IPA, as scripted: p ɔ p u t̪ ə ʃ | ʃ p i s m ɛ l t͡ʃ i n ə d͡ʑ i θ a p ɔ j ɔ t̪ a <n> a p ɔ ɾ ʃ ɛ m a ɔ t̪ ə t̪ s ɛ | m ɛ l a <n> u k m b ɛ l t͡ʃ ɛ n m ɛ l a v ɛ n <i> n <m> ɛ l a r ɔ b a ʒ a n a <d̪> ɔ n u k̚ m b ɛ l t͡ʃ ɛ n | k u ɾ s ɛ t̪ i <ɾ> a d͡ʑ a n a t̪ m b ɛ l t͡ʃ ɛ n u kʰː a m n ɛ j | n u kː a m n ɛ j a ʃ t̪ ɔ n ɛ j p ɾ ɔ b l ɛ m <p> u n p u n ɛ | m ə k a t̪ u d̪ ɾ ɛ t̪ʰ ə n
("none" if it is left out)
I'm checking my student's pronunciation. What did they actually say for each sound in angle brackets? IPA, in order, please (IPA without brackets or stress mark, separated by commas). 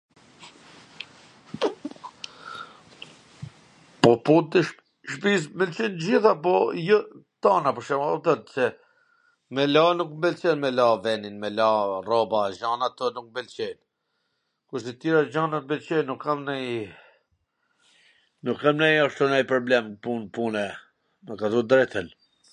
n, n, i, m, t̪, ɾ, p